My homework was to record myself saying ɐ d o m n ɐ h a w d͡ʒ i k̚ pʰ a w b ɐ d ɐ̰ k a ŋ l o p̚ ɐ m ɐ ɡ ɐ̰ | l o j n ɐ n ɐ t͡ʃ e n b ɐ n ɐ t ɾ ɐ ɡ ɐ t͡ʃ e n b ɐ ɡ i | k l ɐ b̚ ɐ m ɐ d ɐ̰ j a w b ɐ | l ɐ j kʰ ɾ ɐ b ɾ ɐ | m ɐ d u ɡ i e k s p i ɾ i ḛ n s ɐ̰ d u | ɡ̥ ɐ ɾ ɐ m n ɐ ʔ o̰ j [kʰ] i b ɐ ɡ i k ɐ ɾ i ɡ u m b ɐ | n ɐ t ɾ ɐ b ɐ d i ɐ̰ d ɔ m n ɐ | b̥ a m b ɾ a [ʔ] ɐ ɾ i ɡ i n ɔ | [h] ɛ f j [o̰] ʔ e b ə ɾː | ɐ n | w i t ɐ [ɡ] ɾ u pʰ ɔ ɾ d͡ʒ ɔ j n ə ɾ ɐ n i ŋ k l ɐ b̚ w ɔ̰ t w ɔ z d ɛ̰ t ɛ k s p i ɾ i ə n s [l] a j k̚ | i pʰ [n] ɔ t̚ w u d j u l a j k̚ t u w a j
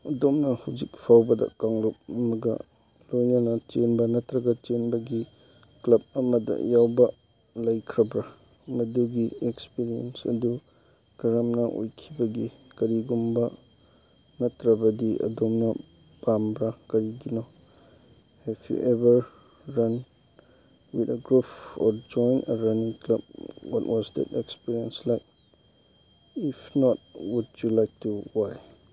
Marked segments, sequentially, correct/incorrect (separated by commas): correct, incorrect, correct, incorrect, correct, correct, correct